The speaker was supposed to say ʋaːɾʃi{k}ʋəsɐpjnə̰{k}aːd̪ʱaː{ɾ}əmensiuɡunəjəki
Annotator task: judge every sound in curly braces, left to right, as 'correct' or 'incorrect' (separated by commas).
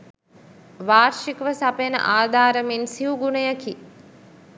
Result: correct, incorrect, correct